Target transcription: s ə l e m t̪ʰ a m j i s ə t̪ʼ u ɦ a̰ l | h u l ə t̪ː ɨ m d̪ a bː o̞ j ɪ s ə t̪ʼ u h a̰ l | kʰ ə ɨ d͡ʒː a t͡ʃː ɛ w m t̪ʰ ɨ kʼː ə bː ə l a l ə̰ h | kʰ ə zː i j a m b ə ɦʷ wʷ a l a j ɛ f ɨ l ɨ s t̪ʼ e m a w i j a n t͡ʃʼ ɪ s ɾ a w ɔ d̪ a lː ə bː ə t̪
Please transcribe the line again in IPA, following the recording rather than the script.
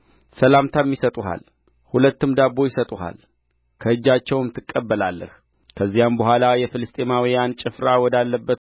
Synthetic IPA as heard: s ə l a m t̪ʰ a m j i s ə t̪ʼ u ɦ a̰ l | h u l ə t̪ː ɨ m d̪ a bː o̞ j ɪ s ə t̪ʼ u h a̰ l | kʰ ə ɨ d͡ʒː a t͡ʃː ɛ w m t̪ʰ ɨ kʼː ə bː ə l a lː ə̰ h | kʰ ə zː i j a m b ə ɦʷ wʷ a l a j ɛ f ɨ l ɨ s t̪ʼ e m a w i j a n t͡ʃʼ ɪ f ɾ a w ɔ d̪ a lː ə bː ə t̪